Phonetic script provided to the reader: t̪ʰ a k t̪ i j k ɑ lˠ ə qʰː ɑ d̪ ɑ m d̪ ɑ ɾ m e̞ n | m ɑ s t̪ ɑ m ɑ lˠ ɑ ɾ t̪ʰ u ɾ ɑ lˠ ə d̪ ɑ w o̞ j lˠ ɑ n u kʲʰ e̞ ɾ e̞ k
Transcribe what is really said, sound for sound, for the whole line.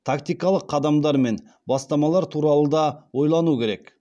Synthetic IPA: t̪ʰ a k t̪ i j k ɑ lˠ ə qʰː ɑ d̪ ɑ m d̪ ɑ ɾ m e̞ n | b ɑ s t̪ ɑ m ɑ lˠ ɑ ɾ t̪ʰ u ɾ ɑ lˠ ə d̪ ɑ w o̞ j lˠ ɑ n u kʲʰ e̞ ɾ e̞ k

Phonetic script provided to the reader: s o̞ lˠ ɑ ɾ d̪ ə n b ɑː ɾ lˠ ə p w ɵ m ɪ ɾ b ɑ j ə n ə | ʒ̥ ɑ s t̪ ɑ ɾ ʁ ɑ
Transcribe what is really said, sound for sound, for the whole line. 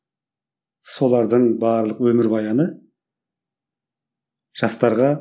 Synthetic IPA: s o̞ lˠ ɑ ɾ d̪ ə ɴ b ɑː ɾ lˠ ə q w ɵ m ɪ ɾ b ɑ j ɑ n ə | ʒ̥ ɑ s t̪ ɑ ɾ ʁ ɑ

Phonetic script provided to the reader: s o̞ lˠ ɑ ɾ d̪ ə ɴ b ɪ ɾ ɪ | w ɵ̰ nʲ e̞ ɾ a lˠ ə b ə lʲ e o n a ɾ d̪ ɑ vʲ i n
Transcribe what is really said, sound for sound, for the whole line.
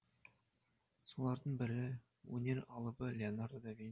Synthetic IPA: s o̞ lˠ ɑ ɾ d̪ ə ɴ b ɪ ɾ ɪ | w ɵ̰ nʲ e̞ ɾ ɑ lˠ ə b ə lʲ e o n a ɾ d̪ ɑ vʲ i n

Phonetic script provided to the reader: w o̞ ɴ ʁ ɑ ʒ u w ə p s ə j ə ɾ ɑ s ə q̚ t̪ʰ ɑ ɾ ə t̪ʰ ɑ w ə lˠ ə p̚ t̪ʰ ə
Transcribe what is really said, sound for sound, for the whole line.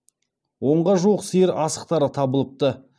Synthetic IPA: w o̞ ɴ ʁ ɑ ʒ u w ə q s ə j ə ɾ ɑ s ə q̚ t̪ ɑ ɾ ə t̪ʰ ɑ b ə lˠ ə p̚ t̪ ə

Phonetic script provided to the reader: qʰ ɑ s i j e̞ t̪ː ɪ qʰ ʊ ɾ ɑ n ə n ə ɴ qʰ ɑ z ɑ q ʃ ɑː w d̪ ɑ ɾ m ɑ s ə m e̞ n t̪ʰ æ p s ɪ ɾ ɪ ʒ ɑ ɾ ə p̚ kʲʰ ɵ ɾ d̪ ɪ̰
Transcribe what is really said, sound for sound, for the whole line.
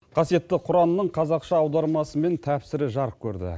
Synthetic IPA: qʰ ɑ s i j e̞ t̪ː ɪ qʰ ʊ ɾ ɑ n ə n ə ɴ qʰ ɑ z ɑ q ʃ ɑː w d̪ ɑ ɾ m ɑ s ə m e̞ n t̪ʰ æ p s ɪ ɾ ɪ ʒ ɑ ɾ ə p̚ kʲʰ ɵ ɾ d̪ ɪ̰

